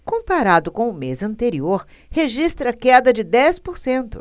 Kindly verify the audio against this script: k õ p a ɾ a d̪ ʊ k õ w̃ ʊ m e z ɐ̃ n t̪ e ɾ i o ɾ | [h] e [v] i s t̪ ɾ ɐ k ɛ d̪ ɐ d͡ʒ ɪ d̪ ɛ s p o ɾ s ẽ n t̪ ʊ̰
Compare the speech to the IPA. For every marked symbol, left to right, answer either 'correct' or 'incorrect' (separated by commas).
correct, incorrect